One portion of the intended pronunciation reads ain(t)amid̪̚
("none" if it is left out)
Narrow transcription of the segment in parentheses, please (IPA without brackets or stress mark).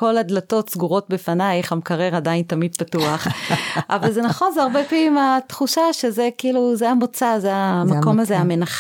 t